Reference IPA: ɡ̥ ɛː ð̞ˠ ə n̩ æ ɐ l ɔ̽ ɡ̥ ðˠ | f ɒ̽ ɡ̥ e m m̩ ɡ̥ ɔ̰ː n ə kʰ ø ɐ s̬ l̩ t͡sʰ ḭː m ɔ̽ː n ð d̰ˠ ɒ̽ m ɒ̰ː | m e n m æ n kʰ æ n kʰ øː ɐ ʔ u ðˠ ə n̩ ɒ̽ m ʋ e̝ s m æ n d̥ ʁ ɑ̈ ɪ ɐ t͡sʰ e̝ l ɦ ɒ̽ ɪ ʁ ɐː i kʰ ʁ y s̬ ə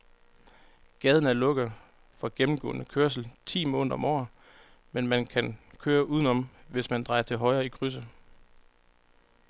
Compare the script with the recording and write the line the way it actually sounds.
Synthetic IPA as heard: ɡ̥ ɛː ð̞ˠ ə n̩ æ ɐ l ɔ̽ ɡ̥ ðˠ | f ɒ̽ ɡ̥ e m m̩ ɡ̥ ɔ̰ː n ə kʰ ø ɐ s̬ l̩ t͡sʰ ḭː m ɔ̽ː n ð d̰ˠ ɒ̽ m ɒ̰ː | m e n m æ n kʰ æ n kʰ øː ɐ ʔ u ðˠ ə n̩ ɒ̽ m ʋ e̝ s m æ n d̥ ʁ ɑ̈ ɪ ɐ t͡sʰ e̝ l ɦ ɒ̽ ɪ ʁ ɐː i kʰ ʁ y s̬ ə